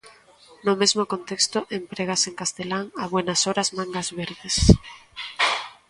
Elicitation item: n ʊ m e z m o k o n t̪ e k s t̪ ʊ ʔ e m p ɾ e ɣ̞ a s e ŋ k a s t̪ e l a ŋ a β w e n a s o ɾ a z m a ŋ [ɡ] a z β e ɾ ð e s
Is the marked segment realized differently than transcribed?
no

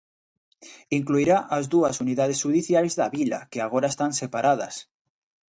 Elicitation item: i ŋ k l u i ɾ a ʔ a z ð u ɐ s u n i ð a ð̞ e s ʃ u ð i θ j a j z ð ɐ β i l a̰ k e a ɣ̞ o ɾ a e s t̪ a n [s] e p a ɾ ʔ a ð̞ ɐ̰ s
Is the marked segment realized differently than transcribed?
no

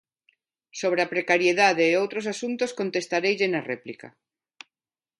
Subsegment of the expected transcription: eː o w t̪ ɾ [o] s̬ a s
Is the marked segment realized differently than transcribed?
no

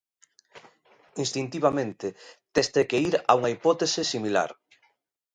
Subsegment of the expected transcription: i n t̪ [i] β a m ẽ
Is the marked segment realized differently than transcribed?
no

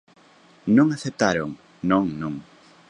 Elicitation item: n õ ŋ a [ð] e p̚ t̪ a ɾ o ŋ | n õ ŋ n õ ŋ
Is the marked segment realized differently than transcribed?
yes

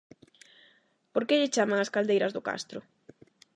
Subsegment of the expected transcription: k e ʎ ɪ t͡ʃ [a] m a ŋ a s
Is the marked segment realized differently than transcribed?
no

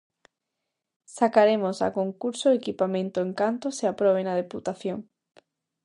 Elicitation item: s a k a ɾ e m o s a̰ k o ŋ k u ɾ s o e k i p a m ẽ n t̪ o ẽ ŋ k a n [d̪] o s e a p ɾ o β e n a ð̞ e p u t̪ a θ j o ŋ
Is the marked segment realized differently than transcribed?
yes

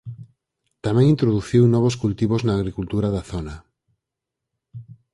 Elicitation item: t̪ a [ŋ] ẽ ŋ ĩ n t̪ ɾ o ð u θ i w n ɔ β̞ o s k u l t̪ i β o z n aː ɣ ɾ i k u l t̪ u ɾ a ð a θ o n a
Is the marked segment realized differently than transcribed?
yes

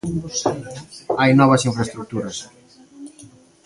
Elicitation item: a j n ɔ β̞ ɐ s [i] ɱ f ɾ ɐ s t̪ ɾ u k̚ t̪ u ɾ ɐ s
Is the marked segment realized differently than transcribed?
no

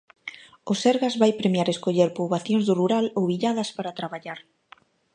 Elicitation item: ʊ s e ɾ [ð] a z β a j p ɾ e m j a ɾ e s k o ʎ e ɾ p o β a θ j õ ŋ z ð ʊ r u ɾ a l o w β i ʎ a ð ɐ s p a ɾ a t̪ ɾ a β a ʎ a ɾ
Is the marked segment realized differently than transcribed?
yes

